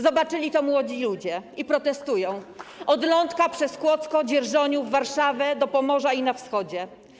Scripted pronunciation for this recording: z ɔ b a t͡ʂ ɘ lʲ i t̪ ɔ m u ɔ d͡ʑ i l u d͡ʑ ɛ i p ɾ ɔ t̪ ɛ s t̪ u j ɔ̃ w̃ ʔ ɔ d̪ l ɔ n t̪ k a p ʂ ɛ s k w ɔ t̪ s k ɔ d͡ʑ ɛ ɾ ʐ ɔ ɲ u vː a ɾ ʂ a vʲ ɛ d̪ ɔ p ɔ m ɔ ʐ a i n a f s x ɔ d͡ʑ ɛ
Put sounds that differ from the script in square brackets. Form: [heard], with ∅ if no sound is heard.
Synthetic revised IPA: z ɔ b a t͡ʂ ɘ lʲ i t̪ ɔ m [w] ɔ d͡ʑ i l u d͡ʑ ɛ i p ɾ ɔ t̪ ɛ s t̪ u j ɔ̃ w̃ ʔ ɔ d̪ l ɔ n t̪ k a p ʂ ɛ s k w ɔ t̪ s k ɔ d͡ʑ ɛ ɾ ʐ ɔ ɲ u vː a ɾ ʂ a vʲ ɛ d̪ ɔ p ɔ m ɔ ʐ a i n a f s x ɔ d͡ʑ ɛ